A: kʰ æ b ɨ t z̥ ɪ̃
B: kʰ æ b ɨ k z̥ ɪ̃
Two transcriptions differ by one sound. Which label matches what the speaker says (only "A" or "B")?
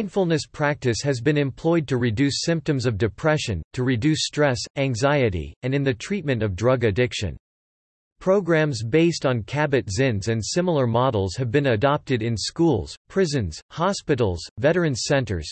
A